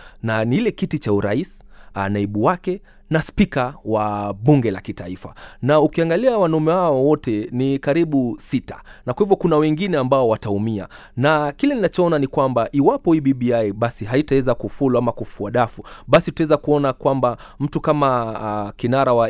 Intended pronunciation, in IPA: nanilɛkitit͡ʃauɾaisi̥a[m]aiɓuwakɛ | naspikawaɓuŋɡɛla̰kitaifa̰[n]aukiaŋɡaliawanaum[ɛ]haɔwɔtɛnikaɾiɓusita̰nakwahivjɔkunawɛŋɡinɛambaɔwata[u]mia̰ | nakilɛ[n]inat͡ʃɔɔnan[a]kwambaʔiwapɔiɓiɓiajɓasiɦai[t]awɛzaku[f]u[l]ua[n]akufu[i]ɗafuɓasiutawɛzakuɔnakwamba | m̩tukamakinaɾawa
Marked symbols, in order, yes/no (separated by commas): no, yes, yes, yes, yes, no, yes, yes, yes, no, no